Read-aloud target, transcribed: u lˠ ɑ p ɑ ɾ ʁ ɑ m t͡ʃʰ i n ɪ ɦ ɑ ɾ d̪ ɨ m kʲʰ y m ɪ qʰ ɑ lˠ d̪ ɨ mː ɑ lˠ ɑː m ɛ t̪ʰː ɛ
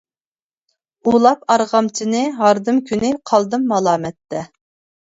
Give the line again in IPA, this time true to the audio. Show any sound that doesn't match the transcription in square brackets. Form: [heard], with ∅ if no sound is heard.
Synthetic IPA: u lˠ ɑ p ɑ ɾ ʁ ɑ m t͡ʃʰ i n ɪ ɦ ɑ ɾ d̪ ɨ m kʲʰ y [n] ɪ qʰ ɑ lˠ d̪ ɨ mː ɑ lˠ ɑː m ɛ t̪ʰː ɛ